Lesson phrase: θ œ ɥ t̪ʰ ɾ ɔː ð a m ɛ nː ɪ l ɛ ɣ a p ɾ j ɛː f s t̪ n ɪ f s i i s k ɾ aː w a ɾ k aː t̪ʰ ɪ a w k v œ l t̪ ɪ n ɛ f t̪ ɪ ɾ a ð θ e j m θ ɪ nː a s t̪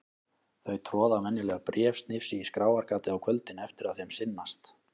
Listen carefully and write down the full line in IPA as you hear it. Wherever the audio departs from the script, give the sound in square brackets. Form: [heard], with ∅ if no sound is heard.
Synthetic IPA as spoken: θ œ ɥ t̪ʰ ɾ ɔː ð a m ɛ nː ɪ l ɛ ɣ a p ɾ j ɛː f s t̪ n ɪ f s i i s k ɾ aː w a ɾ k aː [t̪] ɪ a w [kʰ] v œ l t̪ ɪ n ɛ f t̪ ɪ ɾ a ð θ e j m [s] ɪ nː a s t̪